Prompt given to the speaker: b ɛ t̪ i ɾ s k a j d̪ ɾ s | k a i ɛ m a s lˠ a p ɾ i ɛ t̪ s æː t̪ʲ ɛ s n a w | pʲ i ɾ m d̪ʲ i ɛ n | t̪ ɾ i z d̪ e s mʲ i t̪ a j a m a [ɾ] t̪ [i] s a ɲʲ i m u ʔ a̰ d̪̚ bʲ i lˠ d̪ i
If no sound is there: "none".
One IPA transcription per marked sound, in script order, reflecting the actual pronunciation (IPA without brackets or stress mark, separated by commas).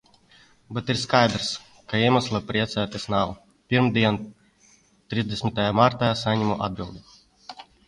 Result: ɾ, a